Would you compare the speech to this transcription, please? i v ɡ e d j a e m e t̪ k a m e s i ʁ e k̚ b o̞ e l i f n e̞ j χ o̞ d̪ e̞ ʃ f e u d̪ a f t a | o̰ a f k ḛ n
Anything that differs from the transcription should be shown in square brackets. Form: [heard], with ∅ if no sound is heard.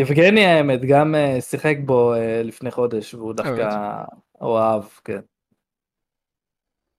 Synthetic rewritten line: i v ɡ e [n] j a e m e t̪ [ɡ] a m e s i [χ] e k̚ b o̞ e l i f n e̞ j χ o̞ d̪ e̞ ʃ [v] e u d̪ a f [k] a | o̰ a [v] k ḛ n